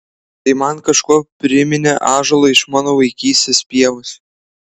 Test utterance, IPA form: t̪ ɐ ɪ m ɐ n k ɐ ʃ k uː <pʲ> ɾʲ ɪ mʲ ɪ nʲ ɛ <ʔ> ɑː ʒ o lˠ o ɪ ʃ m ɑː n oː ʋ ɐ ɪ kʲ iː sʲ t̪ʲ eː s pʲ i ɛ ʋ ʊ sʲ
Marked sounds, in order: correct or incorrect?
correct, correct

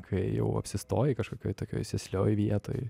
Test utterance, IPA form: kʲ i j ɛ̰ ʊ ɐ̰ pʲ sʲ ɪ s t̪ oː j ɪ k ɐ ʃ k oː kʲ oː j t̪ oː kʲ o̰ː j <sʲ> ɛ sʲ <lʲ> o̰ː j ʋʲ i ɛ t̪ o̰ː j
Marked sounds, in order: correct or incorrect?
correct, correct

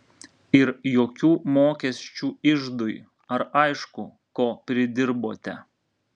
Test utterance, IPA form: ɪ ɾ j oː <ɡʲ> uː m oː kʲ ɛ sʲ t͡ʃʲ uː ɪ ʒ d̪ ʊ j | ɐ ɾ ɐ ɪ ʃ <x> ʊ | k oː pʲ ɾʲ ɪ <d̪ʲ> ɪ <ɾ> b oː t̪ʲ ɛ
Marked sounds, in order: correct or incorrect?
incorrect: kʲ, incorrect: k, correct, correct

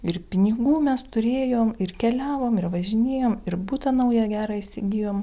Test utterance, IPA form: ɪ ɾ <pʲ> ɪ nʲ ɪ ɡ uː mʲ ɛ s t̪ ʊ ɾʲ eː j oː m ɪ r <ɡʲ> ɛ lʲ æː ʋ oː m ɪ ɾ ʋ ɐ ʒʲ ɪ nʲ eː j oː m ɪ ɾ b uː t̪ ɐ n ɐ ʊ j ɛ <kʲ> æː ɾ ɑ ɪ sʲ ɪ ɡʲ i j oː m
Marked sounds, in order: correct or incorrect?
correct, incorrect: kʲ, incorrect: ɡʲ

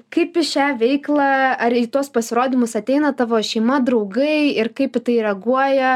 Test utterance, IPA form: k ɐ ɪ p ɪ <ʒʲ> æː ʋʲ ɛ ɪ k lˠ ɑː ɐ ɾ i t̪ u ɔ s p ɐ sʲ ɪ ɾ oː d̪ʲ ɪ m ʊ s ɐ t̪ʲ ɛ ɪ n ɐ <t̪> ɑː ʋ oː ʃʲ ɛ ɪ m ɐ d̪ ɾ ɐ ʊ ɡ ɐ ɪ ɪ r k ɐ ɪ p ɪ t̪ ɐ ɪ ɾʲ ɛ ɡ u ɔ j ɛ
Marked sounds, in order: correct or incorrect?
incorrect: ʃʲ, correct

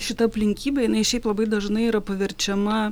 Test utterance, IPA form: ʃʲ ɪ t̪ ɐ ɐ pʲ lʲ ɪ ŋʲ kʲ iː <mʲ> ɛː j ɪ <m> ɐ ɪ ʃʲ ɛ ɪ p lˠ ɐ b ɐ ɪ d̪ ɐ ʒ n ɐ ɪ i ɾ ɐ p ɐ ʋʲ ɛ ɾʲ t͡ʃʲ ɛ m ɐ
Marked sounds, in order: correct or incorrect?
incorrect: bʲ, incorrect: n

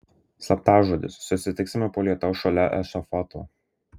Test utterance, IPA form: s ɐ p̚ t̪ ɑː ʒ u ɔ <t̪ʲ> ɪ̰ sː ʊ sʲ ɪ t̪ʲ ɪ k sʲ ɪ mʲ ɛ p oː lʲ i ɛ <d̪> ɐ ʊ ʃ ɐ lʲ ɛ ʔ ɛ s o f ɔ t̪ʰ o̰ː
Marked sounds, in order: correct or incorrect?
incorrect: d̪ʲ, incorrect: t̪

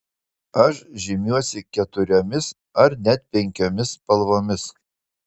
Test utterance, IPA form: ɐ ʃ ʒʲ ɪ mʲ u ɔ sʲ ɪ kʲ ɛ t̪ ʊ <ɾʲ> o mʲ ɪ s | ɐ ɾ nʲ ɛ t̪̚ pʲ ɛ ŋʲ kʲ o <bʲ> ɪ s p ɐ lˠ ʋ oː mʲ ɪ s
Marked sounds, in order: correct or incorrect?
correct, incorrect: mʲ

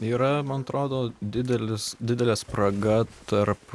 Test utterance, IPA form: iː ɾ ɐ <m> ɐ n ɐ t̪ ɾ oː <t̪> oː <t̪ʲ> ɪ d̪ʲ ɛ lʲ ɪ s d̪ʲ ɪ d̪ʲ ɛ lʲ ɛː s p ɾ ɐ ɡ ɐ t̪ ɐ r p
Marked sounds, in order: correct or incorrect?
correct, incorrect: d̪, incorrect: d̪ʲ

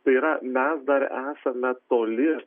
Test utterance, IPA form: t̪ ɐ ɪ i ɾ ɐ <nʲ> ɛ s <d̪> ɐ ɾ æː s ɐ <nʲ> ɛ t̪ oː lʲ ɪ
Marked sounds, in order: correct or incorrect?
incorrect: mʲ, correct, incorrect: mʲ

